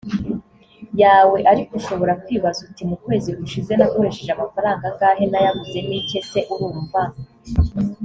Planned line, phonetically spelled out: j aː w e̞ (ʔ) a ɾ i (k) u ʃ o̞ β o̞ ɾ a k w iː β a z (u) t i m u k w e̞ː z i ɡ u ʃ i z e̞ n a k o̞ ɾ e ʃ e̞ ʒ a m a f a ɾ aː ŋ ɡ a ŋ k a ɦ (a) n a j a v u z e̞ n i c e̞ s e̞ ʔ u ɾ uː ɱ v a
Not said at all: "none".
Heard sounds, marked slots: ʔ, k, u, e

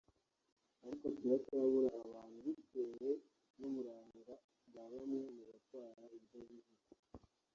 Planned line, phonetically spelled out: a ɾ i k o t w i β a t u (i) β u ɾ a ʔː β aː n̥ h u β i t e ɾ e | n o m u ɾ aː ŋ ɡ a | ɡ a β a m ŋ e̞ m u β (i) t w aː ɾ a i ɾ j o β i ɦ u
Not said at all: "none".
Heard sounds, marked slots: a, a

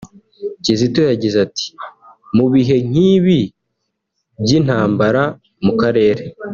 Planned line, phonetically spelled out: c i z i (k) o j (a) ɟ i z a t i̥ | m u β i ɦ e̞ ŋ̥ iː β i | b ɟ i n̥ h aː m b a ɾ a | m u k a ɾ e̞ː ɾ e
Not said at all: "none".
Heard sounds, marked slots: t, a

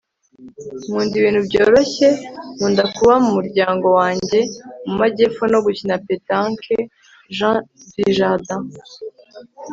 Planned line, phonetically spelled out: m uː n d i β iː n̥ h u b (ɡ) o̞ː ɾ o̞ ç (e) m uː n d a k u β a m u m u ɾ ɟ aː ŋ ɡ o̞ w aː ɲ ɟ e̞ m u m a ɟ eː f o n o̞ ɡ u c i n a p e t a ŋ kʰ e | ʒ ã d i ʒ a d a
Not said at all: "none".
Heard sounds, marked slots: ɟ, e

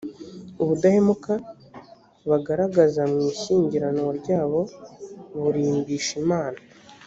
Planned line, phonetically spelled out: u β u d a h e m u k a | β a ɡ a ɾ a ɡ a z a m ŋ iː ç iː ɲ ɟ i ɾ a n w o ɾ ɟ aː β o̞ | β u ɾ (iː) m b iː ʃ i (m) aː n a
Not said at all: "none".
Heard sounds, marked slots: iː, m

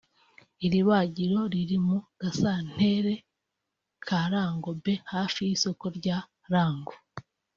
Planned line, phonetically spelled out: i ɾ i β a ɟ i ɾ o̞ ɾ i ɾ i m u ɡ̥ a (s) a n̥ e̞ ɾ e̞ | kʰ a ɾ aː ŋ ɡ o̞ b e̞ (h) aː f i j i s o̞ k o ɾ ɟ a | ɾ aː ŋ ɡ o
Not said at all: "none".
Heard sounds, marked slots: s, h

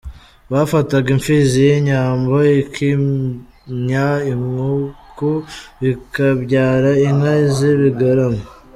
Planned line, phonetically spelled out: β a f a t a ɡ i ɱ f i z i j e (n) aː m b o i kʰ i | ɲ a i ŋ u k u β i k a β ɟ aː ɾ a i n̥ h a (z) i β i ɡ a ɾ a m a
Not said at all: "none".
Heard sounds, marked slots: ɲ, z

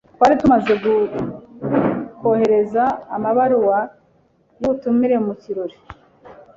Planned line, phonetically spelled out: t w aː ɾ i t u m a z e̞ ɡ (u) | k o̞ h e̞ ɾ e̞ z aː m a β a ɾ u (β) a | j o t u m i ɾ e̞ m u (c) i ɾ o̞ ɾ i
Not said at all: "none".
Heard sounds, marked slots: u, w, c

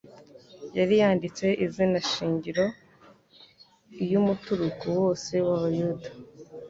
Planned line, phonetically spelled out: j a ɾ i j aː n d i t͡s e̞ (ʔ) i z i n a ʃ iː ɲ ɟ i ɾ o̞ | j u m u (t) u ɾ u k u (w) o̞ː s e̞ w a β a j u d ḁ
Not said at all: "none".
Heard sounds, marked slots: ʔ, t, w

